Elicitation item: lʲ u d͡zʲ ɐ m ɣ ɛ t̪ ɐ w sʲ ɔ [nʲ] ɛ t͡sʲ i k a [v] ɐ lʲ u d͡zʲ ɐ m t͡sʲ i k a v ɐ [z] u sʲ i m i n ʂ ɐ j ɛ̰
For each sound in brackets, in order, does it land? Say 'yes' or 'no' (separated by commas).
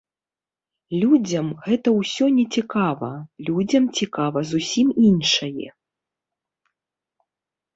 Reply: yes, yes, yes